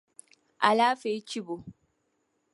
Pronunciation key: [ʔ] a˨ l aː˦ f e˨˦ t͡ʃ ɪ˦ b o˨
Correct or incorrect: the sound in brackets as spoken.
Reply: correct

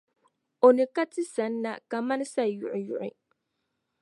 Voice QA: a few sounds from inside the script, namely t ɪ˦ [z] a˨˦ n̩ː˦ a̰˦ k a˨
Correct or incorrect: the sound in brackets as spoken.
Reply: incorrect: s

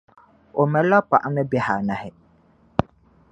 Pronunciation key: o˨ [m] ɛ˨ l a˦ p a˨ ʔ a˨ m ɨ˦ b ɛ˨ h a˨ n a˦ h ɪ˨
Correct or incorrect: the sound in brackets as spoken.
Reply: correct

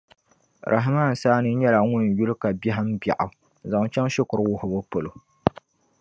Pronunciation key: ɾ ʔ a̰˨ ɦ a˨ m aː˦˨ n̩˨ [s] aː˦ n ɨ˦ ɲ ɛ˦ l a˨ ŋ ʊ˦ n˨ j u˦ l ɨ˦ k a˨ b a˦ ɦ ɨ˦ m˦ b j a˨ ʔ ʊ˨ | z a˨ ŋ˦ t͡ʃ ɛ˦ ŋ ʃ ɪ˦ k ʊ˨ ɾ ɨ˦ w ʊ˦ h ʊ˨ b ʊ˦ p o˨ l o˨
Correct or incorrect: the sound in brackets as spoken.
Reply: correct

